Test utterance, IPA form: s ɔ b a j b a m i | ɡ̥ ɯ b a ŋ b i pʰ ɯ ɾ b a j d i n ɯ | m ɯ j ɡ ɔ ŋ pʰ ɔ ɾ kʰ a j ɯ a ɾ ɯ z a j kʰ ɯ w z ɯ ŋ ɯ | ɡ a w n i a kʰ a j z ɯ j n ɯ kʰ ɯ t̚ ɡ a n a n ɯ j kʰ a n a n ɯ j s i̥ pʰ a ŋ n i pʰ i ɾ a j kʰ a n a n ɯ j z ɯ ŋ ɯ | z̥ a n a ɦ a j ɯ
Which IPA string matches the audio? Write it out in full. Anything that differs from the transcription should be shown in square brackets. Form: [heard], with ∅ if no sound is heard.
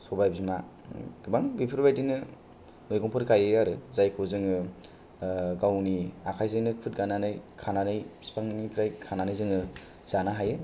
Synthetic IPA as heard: s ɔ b a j b [i] m [a] | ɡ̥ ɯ b a ŋ b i pʰ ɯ ɾ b a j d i n ɯ | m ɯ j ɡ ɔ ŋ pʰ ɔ ɾ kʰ a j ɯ a ɾ ɯ z a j kʰ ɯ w z ɯ ŋ ɯ | ɡ a w n i a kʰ a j z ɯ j n ɯ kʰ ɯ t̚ ɡ a n a n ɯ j kʰ a n a n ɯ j s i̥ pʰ a ŋ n i pʰ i ɾ a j kʰ a n a n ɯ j z ɯ ŋ ɯ | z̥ a n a ɦ a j ɯ